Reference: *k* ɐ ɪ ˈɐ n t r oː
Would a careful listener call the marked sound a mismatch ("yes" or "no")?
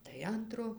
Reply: yes